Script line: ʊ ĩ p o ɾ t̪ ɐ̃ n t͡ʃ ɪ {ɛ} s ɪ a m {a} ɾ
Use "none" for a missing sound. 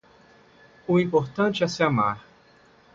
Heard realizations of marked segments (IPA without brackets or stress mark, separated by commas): ɛ, a